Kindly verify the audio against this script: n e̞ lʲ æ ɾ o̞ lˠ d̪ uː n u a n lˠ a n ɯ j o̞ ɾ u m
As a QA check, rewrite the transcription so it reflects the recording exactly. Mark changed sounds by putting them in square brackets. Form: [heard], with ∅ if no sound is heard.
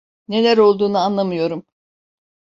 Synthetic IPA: n e̞ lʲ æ ɾ o̞ lˠ d̪ uː n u a n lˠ a [m] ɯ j o̞ ɾ u m